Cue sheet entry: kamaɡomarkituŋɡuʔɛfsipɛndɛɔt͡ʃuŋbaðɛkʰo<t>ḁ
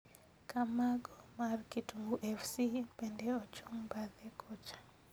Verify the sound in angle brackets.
incorrect: t͡ʃ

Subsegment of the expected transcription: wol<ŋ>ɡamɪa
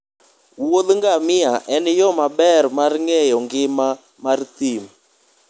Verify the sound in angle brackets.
correct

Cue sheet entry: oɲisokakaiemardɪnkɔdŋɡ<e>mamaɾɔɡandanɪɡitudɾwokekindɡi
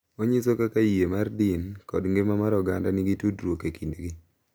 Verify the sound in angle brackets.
correct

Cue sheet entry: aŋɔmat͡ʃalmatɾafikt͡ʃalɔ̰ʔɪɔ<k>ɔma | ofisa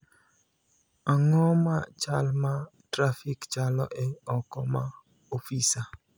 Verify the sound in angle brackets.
correct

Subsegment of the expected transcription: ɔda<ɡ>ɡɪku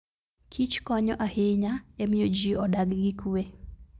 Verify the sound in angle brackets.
correct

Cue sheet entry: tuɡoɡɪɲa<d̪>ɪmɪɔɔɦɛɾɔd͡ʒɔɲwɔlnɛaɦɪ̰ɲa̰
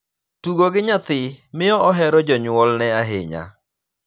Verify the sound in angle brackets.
incorrect: t̪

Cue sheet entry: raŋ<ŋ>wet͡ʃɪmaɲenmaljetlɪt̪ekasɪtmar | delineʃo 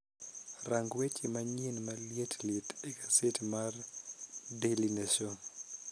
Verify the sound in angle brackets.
incorrect: ɡ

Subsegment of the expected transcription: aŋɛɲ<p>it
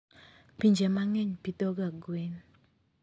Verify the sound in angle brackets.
correct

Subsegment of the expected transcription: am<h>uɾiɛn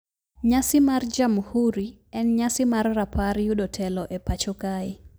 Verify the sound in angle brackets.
correct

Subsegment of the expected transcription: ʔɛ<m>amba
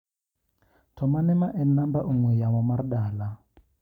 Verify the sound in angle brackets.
incorrect: n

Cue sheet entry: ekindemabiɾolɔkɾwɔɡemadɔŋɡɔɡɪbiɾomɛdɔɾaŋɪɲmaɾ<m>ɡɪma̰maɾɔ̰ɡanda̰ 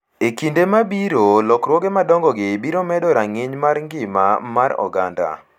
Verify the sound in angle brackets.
incorrect: ŋ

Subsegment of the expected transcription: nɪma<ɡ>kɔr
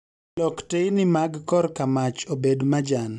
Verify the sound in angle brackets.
correct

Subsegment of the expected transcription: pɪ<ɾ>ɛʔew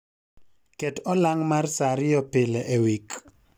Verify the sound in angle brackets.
incorrect: l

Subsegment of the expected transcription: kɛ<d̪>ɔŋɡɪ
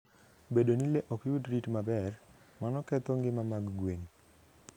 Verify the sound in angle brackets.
incorrect: t̪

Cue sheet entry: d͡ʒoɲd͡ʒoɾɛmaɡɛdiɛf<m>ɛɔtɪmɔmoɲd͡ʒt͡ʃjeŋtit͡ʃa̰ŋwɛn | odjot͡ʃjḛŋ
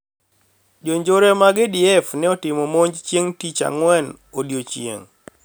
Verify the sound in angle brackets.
incorrect: n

